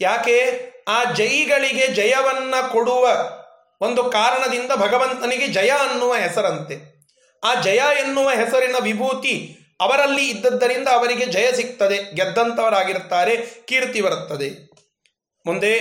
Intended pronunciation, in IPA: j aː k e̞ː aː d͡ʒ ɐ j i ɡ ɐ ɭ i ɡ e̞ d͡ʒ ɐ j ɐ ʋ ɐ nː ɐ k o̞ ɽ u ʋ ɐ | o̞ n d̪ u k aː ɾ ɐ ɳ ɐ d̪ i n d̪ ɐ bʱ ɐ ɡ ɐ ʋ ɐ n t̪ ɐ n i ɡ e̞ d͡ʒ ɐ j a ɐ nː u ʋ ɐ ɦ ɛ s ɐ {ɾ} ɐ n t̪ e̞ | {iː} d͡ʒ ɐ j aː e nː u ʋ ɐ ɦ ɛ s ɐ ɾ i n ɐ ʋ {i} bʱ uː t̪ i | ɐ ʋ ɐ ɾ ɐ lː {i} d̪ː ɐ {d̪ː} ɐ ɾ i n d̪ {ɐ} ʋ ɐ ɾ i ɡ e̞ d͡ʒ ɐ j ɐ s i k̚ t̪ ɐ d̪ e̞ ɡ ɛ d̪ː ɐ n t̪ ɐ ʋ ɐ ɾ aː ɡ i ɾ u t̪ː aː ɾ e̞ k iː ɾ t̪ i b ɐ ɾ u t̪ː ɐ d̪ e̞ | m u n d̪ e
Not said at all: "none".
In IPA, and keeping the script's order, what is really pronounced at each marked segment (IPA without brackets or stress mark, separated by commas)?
ɾ, aː, i, iː, d̪ː, ɐː